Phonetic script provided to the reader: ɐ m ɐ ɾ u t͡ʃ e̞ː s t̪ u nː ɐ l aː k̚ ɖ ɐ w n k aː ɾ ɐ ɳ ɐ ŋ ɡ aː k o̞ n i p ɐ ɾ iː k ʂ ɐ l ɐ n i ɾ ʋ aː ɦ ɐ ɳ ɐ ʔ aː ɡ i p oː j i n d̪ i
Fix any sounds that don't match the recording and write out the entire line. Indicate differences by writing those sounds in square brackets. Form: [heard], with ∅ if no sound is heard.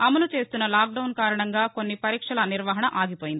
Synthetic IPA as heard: ɐ m ɐ [l] u t͡ʃ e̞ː s t̪ u nː ɐ l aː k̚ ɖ ɐ w n k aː ɾ ɐ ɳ ɐ ŋ ɡ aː k o̞ [nː] i p ɐ ɾ iː k ʂ ɐ l ɐ n i ɾ ʋ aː ɦ ɐ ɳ ɐ ʔ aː ɡ i p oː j i n d̪ i